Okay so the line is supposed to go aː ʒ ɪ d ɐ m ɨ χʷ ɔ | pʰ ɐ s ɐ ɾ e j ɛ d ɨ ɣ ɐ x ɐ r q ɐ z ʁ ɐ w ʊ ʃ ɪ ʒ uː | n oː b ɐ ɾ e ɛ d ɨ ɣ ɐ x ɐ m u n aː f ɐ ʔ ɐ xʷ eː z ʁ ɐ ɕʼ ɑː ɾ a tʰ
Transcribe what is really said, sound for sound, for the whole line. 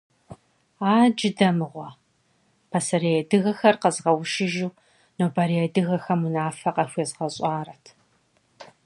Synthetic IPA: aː d͡ʒ ɪ d ɐ m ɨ ʁʷ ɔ | pʰ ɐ s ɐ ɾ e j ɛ d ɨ ɣ ɐ x ɐ r q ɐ z ʁ ɐ w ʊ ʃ ɪ ʒ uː | n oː b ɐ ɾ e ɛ d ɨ ɣ ɐ x ɐ m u n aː f ɐ q ɐ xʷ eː z ʁ ɐ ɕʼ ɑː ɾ ɐ tʰ